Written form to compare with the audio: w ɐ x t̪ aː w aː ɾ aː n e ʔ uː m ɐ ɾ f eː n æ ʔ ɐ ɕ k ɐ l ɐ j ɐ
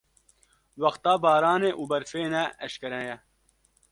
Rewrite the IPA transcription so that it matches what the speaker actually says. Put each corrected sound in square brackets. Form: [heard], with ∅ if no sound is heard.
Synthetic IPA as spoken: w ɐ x t̪ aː [b] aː ɾ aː n e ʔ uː [b] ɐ ɾ f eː n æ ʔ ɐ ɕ k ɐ [ɾ] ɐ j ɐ